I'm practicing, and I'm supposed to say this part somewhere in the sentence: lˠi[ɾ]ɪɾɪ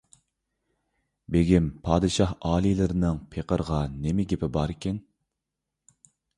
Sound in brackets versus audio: incorrect: l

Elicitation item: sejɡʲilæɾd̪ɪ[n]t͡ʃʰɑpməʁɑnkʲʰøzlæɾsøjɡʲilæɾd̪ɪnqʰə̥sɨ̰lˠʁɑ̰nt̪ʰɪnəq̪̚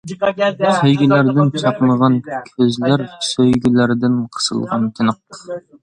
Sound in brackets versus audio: correct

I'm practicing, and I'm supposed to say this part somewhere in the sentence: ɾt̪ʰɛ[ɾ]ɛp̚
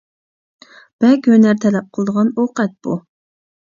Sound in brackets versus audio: incorrect: l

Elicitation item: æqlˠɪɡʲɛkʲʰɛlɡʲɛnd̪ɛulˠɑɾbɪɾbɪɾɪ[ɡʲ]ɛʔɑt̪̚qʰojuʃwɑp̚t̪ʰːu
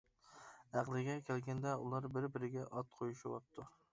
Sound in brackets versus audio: correct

